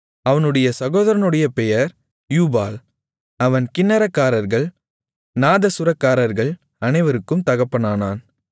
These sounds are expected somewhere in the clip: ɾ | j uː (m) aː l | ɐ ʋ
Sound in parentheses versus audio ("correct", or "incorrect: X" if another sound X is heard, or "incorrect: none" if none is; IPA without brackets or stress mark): incorrect: b